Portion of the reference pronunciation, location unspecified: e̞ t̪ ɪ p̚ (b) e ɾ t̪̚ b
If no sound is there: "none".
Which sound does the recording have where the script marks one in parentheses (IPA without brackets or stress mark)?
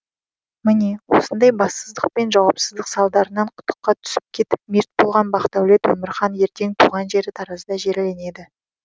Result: m